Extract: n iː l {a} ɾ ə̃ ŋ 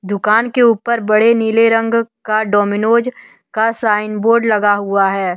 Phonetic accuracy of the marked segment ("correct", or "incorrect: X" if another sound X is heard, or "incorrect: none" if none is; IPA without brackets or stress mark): incorrect: e